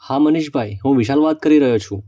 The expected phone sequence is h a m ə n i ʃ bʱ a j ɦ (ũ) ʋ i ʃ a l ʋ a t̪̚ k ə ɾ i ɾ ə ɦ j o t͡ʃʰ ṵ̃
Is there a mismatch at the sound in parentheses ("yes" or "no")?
no